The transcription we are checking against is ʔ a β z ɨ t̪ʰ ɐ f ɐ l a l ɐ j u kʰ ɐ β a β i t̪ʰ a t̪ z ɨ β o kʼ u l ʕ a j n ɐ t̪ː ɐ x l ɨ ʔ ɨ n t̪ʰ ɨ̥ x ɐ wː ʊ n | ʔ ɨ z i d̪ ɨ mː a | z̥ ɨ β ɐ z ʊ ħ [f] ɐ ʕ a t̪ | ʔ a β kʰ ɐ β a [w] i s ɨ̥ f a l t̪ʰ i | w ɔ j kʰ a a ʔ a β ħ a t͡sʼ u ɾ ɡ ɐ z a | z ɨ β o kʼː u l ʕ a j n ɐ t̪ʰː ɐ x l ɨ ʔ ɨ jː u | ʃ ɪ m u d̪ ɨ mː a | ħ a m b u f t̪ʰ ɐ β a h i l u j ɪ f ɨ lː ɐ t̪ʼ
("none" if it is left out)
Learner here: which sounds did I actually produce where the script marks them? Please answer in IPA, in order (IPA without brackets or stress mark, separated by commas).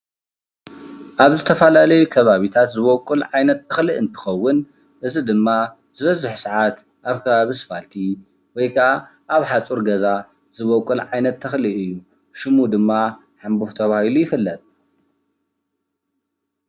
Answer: s, β